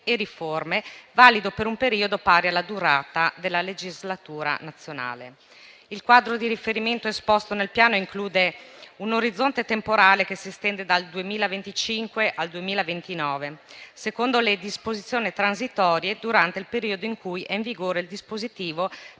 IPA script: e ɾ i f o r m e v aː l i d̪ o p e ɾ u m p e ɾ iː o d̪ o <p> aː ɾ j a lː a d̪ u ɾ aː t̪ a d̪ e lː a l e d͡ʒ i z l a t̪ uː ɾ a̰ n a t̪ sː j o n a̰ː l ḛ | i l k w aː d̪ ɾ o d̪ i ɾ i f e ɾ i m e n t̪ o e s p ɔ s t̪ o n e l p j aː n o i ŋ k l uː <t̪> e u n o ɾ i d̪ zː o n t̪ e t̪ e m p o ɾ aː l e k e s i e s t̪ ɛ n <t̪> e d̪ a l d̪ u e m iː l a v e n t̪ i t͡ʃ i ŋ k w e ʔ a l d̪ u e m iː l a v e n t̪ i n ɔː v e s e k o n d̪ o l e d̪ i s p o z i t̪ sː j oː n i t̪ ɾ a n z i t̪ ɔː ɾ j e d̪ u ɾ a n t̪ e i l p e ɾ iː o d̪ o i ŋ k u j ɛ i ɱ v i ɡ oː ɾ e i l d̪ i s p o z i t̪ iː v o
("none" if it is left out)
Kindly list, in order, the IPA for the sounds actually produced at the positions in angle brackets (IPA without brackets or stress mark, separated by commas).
p, d̪, d̪